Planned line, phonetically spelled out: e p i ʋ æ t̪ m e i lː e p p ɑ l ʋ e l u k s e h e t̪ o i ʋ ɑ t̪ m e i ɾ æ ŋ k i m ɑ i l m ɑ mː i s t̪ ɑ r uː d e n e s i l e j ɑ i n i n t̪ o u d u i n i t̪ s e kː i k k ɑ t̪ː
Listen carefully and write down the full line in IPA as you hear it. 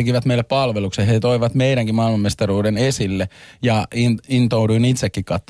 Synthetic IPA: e k i ʋ æ t̪ m e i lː e p p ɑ l ʋ e l u k s e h e t̪ o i ʋ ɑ t̪ m e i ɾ æ ŋ k i m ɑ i l m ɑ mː e s t̪ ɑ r uː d e n e s i lː e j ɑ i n i n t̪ o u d u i n i t̪ s e kː i k k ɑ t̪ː